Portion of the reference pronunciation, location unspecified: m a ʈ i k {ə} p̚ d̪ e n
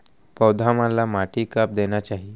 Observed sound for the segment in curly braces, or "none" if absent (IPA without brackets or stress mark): a